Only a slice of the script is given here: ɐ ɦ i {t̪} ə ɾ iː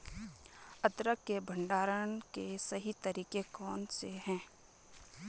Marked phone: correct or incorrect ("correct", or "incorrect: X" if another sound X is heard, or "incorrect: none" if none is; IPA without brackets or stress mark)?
correct